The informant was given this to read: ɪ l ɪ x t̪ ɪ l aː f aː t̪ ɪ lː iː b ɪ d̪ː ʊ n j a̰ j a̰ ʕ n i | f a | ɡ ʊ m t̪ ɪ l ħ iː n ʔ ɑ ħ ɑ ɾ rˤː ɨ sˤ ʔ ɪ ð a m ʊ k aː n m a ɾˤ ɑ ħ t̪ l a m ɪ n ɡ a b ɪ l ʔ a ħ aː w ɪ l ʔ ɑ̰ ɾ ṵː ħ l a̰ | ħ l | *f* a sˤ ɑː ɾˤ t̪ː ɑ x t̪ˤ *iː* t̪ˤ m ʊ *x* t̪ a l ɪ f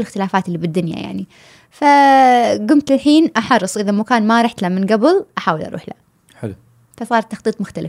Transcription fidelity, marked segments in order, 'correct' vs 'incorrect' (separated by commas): correct, correct, correct